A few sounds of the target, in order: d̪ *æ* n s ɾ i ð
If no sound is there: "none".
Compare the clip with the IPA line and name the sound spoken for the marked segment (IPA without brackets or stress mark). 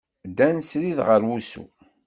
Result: æ